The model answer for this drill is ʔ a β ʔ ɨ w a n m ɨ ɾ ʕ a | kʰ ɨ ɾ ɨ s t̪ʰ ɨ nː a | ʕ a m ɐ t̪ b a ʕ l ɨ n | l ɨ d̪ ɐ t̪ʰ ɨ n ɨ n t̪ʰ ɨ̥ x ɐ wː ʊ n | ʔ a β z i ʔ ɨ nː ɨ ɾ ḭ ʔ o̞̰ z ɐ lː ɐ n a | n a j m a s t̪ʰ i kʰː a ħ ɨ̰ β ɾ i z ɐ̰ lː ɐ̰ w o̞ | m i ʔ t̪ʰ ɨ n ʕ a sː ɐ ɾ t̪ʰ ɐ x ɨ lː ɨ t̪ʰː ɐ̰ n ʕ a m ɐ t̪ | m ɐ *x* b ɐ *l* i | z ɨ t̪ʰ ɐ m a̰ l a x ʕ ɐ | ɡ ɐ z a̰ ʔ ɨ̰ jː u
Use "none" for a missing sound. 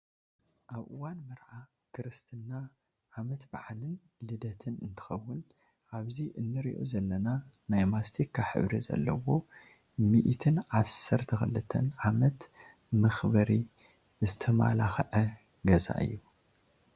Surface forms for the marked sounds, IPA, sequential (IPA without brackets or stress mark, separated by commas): x, ɾ